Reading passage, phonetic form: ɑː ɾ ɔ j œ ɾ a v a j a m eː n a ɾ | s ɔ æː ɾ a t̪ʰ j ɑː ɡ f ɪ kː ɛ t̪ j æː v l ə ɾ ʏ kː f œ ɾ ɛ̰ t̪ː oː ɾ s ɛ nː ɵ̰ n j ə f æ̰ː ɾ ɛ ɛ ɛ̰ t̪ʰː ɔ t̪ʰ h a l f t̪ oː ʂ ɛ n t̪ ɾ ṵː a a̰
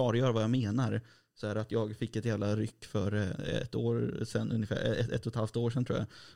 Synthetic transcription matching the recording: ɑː ɾ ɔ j œː ɾ a v a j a m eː n a ɾ | s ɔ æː ɾ a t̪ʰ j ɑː ɡ f ɪ kː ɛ t̪ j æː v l a ɾ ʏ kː f œ ɾ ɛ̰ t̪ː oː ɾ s ɛ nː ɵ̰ n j ə f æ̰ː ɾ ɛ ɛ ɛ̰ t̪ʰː ɔ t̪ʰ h a l f t̪ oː ʂ ɛ n t̪ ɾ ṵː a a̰